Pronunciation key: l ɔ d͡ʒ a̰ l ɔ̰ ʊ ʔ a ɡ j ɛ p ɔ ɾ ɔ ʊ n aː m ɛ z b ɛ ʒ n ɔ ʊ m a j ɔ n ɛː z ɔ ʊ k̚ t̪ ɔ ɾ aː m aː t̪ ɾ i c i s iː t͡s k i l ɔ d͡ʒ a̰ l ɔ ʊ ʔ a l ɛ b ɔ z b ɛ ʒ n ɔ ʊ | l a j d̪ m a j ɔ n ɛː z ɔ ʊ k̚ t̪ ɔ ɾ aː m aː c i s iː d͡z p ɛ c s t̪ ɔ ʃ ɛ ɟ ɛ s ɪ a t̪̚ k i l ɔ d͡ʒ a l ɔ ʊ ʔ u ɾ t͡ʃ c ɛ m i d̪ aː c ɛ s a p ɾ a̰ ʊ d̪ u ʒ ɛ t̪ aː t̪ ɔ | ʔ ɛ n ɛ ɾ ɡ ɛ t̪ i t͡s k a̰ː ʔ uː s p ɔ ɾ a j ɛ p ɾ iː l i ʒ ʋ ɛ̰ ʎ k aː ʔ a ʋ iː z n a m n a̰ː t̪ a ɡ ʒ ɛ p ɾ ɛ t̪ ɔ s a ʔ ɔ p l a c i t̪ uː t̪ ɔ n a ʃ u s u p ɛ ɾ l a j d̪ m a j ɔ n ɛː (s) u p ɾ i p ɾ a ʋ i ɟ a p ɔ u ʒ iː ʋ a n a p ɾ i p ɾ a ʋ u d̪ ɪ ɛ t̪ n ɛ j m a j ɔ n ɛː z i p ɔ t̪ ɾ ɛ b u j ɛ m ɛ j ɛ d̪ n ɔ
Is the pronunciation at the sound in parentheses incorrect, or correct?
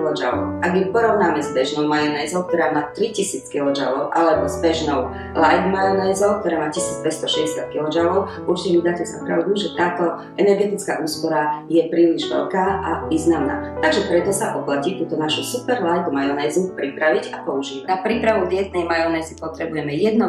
incorrect